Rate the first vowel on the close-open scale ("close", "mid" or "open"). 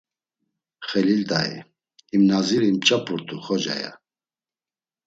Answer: mid